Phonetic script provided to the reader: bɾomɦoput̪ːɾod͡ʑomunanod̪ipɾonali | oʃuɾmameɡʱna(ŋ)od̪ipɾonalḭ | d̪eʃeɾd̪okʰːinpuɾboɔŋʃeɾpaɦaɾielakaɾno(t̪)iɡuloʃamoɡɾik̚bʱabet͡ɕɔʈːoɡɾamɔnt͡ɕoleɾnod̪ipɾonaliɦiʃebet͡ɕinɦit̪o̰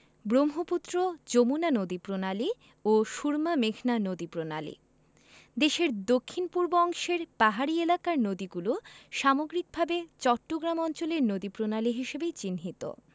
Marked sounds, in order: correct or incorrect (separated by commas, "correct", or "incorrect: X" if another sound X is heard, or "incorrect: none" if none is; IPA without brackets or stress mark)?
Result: incorrect: n, incorrect: d̪